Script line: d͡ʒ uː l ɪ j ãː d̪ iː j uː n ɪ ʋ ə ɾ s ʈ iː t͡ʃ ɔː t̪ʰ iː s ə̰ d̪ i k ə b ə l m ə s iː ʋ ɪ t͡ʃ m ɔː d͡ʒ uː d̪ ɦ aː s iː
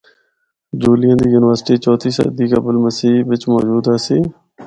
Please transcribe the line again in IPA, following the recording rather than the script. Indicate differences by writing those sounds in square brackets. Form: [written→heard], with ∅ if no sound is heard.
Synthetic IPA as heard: d͡ʒ uː l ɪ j ãː d̪ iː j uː n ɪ ʋ ə ɾ s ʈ iː t͡ʃ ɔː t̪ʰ iː s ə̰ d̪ [i→iː] k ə b ə l m ə s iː ʋ ɪ t͡ʃ m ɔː d͡ʒ uː d̪ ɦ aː s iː